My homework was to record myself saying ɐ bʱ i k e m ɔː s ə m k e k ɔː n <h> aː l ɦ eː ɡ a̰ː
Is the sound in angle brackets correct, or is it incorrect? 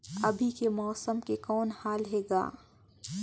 correct